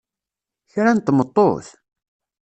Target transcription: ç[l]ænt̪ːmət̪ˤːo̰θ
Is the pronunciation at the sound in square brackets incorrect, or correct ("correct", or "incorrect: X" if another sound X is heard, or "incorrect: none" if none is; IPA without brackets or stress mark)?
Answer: incorrect: ɾ